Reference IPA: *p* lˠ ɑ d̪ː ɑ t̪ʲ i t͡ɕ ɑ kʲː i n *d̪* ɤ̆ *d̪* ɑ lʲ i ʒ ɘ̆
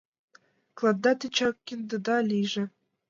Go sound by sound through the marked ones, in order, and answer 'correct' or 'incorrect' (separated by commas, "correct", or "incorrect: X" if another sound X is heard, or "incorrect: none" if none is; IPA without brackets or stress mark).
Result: incorrect: k, correct, correct